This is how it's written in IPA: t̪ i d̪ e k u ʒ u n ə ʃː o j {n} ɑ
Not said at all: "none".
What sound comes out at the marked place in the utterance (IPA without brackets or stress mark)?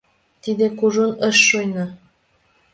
n